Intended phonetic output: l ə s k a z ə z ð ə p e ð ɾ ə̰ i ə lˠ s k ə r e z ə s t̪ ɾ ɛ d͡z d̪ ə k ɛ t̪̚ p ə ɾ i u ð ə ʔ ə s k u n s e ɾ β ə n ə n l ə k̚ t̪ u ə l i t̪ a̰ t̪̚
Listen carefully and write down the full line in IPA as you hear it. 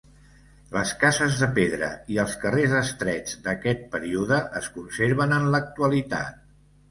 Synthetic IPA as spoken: l ə s k a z ə z ð ə p e ð ɾ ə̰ i ə lˠ s k ə r e z ə s t̪ ɾ ɛ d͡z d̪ ə k ɛ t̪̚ p ə ɾ i u ð ə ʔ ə s k u n s e ɾ β ə n ə n l ə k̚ t̪ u ə l i t̪ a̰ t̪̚